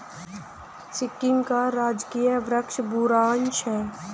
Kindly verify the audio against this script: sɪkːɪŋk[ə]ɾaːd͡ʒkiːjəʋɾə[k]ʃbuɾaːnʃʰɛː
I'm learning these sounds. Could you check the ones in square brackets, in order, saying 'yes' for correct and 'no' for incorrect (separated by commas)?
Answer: no, yes